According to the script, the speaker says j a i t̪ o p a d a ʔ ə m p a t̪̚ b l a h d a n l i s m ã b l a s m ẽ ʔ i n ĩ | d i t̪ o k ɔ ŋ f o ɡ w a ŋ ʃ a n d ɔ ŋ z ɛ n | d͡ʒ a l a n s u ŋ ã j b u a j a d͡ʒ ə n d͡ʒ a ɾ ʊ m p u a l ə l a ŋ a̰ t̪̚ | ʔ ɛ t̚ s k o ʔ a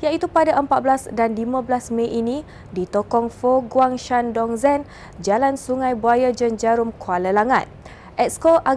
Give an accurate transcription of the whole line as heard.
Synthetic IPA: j a i t̪ u p a d a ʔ ə m p a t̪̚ b l a s d a n l i m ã b l a s m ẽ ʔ i n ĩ | d i t̪ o k ɔ ŋ f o ɡ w a ŋ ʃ a n d ɔ ŋ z ɛ n | d͡ʒ a l a n s u ŋ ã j b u a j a d͡ʒ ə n d͡ʒ a ɾ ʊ m k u a l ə l a ŋ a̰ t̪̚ | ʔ ɛ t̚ s k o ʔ a